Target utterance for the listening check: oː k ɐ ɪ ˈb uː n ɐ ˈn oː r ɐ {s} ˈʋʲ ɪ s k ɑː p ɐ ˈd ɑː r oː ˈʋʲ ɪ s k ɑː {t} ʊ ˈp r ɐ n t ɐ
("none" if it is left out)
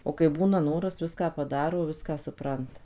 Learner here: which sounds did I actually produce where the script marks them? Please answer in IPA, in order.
s, s

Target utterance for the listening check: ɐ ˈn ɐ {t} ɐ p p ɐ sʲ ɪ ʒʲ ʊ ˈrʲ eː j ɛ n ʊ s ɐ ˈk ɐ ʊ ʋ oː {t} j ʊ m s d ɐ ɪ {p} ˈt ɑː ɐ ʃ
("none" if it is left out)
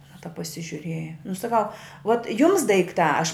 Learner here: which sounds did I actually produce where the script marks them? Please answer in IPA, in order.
t, t, k

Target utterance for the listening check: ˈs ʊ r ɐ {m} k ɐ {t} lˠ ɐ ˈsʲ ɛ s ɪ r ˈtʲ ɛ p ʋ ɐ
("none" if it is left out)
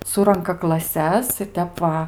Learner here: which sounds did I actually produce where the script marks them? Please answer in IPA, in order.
ŋ, k

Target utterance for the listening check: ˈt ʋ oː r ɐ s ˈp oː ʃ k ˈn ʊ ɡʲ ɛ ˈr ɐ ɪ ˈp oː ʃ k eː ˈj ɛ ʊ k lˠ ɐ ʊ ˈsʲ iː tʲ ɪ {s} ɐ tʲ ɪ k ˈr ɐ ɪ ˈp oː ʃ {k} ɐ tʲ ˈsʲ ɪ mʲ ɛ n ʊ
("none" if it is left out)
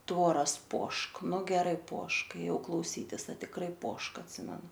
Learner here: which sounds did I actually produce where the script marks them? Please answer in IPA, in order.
s, k

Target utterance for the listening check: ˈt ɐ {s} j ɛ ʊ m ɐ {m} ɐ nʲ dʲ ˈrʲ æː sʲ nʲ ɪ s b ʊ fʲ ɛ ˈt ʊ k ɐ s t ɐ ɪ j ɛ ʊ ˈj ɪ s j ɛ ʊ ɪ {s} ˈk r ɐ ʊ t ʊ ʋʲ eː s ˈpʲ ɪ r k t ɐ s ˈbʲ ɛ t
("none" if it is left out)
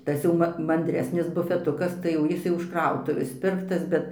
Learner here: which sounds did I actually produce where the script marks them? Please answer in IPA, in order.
s, m, ʃ

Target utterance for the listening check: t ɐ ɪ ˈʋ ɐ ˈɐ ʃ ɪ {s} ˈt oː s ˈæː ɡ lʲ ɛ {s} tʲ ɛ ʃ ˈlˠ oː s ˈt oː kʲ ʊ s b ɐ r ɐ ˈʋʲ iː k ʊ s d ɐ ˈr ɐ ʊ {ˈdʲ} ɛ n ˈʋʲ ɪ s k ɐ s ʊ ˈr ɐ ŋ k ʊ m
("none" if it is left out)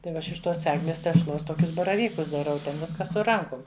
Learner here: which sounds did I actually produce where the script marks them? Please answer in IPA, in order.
ʃ, s, tʲ

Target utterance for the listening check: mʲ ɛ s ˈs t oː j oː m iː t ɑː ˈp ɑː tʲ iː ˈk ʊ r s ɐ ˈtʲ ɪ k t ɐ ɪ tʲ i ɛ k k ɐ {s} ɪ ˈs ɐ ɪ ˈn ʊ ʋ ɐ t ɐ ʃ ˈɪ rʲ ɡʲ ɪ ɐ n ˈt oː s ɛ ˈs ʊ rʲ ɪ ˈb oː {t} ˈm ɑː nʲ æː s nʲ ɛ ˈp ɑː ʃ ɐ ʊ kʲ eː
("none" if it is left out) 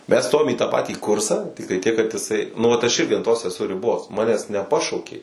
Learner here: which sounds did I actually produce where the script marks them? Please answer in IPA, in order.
t, s

